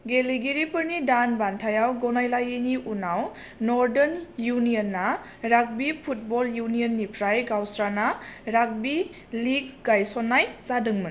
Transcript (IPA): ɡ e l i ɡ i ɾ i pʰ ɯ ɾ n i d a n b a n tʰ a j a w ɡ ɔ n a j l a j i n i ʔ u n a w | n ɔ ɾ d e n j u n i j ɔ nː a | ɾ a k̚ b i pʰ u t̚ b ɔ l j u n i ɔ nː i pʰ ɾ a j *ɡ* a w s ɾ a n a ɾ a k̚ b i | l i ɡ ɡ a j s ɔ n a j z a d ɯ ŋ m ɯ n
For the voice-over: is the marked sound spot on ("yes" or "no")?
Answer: yes